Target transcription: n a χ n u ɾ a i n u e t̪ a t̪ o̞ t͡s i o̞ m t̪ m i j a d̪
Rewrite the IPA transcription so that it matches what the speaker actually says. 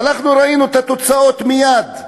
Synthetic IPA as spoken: n a χ n u ɾ a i n u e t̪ a t̪ o̞ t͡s a o̞ t̪ m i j a d̪